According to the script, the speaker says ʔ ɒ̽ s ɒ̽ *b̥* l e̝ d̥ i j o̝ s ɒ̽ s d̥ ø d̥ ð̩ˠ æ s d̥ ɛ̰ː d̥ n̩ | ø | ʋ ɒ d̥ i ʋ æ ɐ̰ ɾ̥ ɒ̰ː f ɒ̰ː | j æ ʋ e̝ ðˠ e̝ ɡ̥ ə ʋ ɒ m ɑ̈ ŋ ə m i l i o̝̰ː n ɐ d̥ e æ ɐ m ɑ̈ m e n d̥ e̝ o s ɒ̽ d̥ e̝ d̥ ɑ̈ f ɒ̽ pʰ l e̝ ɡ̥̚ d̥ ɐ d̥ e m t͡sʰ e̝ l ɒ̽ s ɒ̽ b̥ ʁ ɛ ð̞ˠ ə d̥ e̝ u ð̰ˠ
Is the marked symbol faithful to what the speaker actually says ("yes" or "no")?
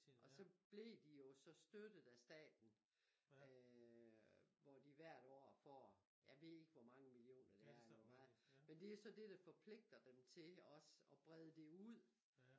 yes